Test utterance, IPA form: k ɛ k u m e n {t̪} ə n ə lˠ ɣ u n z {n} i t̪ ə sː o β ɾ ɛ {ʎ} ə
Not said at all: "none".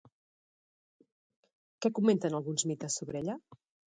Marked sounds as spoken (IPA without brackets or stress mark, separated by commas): t̪, m, ʎ